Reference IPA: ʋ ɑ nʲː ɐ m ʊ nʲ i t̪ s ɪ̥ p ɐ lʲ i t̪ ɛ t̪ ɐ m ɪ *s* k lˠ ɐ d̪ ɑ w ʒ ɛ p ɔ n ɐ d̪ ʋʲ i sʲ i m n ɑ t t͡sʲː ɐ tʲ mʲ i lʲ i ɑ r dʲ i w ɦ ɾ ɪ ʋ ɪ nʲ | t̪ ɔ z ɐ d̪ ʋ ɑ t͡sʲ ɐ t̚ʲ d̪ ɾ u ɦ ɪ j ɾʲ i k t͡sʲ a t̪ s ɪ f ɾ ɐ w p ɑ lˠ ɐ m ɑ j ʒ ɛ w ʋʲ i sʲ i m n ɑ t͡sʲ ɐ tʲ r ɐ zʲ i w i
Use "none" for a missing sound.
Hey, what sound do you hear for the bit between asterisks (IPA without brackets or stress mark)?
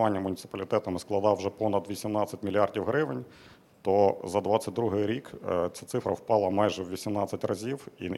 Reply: s